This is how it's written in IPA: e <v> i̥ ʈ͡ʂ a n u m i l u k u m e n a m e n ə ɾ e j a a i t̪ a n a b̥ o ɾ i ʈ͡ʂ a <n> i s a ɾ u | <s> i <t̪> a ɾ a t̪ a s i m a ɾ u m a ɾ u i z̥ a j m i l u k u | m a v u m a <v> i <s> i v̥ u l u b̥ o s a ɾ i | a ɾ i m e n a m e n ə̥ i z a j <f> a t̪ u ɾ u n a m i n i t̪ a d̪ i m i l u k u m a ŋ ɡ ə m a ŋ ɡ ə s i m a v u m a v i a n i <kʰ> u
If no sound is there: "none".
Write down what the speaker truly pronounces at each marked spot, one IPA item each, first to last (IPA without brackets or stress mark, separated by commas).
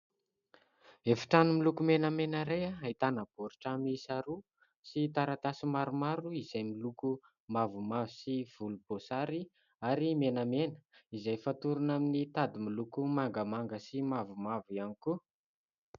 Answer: f, m, s, t̪, v, s, f, k